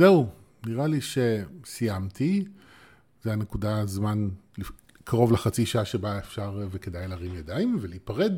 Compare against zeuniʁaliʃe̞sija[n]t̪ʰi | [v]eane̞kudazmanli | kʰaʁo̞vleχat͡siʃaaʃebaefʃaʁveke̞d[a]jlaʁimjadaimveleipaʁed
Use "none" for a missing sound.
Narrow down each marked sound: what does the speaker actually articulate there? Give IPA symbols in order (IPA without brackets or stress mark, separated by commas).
m, z, a